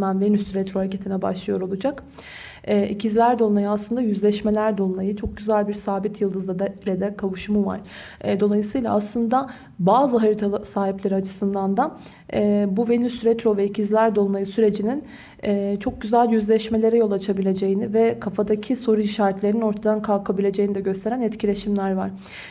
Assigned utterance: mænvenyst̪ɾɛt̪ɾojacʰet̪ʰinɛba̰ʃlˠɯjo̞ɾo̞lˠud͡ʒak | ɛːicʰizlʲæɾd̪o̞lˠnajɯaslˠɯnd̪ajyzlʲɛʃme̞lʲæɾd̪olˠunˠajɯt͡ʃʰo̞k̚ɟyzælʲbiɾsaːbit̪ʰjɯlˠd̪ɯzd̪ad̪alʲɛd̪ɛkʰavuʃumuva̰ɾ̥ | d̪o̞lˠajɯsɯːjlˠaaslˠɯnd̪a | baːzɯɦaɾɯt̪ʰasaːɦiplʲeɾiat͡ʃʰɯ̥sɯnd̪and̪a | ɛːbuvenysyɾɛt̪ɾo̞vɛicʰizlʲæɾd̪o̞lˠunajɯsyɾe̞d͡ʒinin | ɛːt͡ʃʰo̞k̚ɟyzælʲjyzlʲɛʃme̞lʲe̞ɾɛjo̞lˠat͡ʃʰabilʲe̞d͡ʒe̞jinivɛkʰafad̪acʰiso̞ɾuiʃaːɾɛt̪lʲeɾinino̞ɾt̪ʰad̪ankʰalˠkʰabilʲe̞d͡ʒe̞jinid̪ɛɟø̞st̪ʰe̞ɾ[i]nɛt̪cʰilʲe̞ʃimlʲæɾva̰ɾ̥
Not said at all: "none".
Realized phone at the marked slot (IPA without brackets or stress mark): æ